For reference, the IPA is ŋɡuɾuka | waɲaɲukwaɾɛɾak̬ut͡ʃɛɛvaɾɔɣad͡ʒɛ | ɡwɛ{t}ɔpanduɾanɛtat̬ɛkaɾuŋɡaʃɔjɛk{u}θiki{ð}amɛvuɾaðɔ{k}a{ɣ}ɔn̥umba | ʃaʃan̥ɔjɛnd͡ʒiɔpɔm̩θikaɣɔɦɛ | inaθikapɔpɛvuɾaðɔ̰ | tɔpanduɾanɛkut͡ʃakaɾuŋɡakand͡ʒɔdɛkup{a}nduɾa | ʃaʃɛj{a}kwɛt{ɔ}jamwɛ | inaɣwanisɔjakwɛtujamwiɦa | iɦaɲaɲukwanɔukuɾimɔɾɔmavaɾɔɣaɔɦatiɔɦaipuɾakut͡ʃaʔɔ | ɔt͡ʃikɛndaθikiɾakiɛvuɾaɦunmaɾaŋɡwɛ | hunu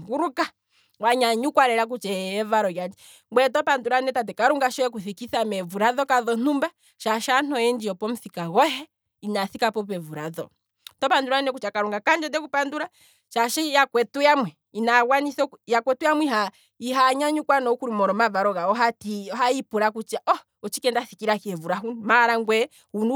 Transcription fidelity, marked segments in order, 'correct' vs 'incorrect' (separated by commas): correct, correct, incorrect, correct, incorrect, correct, correct, incorrect